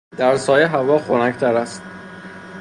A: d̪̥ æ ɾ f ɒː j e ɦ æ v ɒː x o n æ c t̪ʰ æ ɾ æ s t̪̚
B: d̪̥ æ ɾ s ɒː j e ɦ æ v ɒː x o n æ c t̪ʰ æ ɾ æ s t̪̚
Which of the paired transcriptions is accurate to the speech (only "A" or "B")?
B